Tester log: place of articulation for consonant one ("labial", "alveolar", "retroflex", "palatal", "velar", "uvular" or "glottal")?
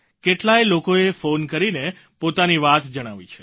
velar